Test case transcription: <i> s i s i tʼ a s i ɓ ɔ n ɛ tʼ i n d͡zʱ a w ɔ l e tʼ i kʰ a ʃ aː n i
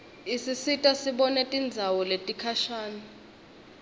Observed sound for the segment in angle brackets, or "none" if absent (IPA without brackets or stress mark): i